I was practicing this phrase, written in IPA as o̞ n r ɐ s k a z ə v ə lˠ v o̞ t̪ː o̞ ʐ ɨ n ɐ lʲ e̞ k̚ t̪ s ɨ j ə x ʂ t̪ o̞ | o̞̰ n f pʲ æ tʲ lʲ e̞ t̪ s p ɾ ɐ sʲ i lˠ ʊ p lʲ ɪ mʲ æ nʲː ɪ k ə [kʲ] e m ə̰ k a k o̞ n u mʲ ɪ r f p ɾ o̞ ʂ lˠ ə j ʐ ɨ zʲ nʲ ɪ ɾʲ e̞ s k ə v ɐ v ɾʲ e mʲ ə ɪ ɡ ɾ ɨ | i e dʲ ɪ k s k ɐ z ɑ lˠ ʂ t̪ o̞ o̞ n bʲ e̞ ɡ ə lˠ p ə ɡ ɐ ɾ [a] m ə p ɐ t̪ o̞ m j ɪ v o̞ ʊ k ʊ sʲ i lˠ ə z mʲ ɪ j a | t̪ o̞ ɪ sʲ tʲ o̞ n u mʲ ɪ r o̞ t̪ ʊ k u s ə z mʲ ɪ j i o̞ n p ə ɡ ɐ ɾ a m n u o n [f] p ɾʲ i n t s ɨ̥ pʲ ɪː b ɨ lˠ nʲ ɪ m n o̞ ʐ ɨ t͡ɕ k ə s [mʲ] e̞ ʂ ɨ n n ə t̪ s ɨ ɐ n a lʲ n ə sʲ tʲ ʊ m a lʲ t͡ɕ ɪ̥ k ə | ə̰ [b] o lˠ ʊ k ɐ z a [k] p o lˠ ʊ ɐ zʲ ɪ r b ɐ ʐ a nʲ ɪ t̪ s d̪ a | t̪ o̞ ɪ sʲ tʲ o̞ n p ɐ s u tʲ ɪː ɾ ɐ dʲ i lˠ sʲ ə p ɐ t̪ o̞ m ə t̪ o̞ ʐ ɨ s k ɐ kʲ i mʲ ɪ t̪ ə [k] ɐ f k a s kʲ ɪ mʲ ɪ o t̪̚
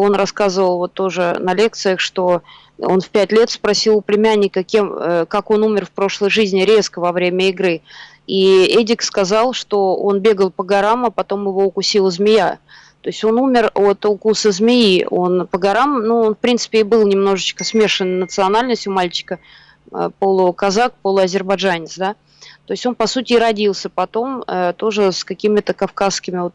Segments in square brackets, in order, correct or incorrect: correct, correct, correct, correct, incorrect: p, correct, correct

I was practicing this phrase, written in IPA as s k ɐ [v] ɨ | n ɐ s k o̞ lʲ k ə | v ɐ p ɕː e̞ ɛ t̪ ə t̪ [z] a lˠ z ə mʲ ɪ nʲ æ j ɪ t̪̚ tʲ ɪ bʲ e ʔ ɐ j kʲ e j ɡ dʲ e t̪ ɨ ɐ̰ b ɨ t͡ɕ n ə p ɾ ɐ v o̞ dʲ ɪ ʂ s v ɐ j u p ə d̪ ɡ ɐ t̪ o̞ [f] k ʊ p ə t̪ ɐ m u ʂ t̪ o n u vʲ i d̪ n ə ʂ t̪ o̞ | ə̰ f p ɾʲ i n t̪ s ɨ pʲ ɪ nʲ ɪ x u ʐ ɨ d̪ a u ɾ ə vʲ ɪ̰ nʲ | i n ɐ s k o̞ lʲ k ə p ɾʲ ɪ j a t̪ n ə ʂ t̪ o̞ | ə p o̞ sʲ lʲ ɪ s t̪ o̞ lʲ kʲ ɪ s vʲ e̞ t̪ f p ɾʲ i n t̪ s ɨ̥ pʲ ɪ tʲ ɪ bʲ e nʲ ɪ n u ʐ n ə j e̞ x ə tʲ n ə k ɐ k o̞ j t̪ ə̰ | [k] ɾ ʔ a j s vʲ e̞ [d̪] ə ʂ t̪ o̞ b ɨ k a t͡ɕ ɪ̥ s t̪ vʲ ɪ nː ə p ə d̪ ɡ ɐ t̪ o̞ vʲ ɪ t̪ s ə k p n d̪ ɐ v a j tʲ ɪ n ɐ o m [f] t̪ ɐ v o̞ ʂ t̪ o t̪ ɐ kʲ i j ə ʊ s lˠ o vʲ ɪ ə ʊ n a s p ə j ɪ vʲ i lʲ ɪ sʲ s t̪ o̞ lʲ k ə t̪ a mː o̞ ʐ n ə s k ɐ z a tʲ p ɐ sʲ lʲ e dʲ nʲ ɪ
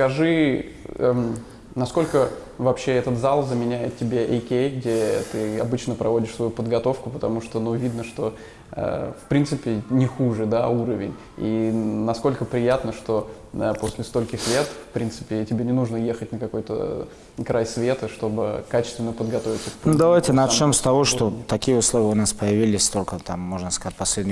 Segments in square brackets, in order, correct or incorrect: incorrect: ʐ, correct, correct, correct, incorrect: t̪, incorrect: s

